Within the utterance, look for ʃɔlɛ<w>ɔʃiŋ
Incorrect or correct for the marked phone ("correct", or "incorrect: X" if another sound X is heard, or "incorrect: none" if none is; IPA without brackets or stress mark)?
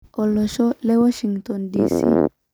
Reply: correct